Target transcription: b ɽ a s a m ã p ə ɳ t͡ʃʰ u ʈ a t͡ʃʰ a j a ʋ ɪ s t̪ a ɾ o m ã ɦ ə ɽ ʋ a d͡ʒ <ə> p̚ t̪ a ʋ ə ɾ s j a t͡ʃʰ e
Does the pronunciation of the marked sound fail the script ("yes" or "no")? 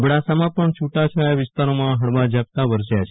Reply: yes